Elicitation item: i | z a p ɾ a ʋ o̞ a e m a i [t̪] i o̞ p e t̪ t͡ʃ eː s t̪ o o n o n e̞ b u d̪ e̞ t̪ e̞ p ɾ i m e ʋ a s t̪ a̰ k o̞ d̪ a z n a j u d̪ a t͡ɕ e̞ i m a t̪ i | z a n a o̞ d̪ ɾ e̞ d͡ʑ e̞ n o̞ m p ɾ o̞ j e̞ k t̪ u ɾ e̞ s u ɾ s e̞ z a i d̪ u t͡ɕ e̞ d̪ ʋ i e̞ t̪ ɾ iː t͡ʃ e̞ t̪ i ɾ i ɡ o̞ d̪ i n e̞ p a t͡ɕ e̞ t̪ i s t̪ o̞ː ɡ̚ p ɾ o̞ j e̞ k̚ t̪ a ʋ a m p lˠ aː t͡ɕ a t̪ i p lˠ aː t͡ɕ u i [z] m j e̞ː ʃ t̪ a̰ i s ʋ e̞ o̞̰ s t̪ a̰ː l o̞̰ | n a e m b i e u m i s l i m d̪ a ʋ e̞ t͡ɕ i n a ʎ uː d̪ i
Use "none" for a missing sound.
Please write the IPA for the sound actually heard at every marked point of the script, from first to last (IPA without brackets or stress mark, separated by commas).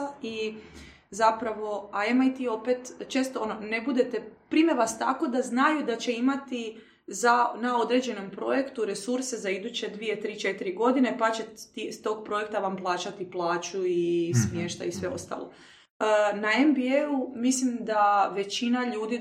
t̪, s